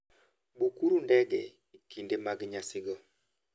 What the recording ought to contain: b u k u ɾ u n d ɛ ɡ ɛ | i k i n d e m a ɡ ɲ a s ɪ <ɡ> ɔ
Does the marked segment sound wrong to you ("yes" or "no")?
no